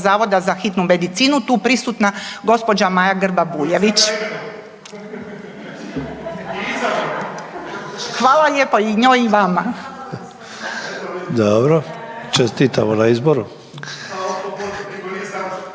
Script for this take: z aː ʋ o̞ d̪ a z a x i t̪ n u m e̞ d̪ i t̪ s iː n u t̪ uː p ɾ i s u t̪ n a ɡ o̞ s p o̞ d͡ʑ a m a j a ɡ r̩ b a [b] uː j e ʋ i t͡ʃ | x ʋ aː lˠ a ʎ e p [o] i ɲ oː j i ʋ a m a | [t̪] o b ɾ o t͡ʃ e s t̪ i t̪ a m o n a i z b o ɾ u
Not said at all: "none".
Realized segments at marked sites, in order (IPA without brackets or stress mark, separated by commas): b, o, d̪